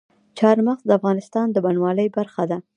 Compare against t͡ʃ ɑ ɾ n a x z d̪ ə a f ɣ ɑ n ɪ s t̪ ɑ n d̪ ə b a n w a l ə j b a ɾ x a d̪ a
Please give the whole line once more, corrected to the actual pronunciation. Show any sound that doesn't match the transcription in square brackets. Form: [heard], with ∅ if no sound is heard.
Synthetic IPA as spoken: t͡ʃ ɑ ɾ [m] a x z d̪ ə a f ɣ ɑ n ɪ s t̪ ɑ n d̪ ə b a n w [ɑ] l ə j b a ɾ x a d̪ a